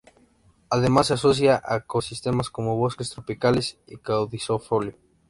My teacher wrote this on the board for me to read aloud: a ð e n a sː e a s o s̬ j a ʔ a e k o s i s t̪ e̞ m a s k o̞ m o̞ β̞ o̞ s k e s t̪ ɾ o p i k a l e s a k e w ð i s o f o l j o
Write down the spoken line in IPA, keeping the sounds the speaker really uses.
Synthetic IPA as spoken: a ð e m a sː e a s o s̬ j a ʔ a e k o s i s t̪ e̞ m a s k o̞ m o̞ β̞ o̞ s k e s t̪ ɾ o p i k a l e s i k a w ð i s o f o l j o